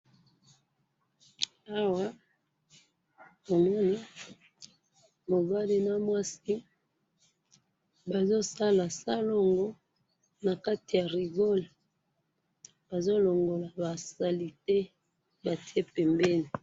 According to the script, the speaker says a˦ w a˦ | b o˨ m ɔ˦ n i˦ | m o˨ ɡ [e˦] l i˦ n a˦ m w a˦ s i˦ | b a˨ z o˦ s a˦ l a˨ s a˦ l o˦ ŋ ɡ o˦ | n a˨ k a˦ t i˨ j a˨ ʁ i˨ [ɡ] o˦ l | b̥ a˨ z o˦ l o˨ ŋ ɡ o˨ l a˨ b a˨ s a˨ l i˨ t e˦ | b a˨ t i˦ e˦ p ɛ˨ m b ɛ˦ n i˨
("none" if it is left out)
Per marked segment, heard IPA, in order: a˦, ɡ

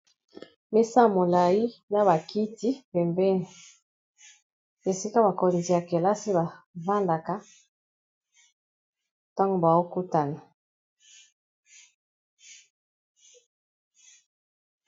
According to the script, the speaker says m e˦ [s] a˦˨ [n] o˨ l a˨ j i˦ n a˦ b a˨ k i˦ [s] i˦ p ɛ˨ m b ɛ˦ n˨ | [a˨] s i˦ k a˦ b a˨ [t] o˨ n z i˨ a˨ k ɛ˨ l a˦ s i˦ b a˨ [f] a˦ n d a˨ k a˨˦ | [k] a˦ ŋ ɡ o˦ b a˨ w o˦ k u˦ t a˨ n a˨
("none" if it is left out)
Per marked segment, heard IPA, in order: s, m, t, e˨, k, v, t

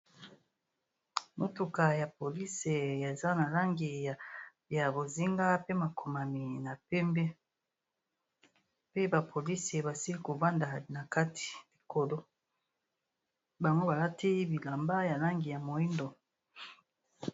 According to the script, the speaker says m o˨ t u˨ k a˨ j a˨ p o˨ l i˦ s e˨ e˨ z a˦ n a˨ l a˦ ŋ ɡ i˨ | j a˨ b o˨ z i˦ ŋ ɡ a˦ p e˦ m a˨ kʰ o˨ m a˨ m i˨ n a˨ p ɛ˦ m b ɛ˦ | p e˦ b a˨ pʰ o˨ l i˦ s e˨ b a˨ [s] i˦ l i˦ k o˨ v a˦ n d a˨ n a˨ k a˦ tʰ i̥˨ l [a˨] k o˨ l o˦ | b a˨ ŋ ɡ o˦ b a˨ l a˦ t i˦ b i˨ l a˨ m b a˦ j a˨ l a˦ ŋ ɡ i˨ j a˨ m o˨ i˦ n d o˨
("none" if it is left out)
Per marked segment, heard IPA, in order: s, i˨

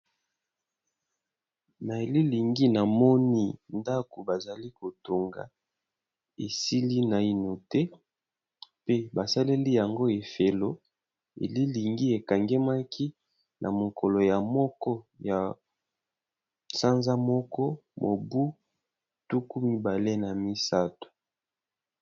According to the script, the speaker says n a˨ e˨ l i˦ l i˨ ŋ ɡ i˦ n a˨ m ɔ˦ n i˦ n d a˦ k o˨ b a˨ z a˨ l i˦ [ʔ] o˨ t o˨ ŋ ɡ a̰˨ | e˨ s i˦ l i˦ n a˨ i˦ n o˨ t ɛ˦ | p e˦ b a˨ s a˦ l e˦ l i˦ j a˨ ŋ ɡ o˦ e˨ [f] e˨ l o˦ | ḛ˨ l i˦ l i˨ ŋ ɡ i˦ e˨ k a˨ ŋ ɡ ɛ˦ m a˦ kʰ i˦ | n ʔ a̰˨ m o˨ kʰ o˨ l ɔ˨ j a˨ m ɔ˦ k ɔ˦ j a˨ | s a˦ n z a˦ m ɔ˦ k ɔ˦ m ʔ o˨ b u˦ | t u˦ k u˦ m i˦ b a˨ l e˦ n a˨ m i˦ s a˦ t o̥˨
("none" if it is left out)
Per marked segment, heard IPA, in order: k, f

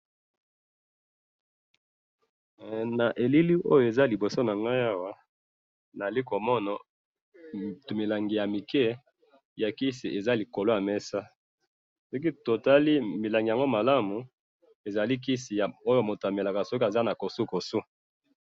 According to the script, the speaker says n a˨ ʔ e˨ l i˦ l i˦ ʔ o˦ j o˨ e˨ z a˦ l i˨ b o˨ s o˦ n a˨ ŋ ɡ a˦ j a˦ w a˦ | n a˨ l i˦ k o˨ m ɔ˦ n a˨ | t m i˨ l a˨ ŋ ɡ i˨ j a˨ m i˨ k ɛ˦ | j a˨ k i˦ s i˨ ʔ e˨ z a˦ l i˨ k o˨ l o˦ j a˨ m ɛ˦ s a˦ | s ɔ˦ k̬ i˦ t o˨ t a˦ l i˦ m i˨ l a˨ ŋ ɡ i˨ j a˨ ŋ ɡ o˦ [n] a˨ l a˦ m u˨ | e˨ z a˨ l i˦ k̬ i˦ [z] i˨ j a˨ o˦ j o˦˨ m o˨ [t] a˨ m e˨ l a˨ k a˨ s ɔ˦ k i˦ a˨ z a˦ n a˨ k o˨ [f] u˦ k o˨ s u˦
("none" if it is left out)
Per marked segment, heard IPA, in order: m, s, t, s

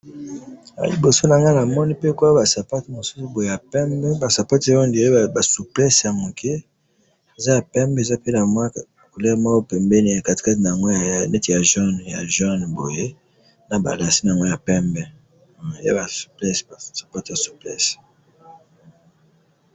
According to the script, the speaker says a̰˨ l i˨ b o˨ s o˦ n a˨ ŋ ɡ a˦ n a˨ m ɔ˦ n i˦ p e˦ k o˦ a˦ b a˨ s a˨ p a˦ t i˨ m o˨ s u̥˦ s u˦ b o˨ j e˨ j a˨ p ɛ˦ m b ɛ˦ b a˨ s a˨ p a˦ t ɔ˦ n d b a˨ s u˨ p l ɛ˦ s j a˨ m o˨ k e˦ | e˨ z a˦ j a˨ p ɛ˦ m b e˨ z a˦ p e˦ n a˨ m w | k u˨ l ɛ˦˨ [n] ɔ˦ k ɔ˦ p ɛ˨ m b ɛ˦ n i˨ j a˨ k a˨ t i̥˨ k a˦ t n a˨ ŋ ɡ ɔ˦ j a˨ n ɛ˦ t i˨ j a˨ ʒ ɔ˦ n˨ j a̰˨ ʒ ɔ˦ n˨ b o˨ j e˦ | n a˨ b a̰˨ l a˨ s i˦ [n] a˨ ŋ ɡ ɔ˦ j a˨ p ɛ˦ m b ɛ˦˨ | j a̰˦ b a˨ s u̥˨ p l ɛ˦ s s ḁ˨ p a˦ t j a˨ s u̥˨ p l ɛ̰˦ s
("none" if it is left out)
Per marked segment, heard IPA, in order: m, n

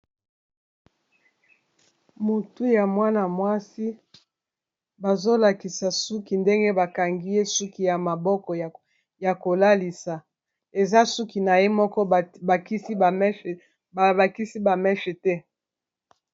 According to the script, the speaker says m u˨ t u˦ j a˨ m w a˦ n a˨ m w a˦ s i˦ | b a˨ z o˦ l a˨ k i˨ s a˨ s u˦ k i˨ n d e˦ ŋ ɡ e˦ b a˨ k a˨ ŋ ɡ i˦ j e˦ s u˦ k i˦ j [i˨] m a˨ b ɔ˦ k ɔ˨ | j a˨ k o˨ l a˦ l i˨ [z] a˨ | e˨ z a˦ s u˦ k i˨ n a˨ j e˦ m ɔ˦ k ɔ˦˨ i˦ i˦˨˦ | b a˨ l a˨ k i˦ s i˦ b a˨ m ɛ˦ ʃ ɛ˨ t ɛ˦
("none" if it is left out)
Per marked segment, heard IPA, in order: a˨, s

